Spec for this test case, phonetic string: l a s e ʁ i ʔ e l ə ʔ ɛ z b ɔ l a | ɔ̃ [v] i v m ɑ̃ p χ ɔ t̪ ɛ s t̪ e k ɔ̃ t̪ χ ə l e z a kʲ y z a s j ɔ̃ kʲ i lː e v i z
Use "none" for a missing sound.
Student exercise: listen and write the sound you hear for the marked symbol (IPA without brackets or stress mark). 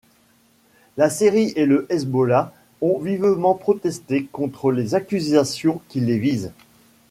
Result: v